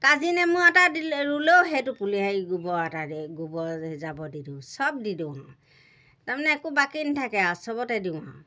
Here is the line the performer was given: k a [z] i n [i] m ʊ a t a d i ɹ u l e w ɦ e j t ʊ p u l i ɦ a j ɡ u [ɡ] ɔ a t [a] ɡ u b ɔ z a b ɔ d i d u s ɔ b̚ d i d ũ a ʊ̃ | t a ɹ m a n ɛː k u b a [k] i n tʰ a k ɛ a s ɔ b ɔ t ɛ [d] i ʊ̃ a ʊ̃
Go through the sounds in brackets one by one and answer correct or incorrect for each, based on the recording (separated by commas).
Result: correct, incorrect, incorrect, correct, correct, correct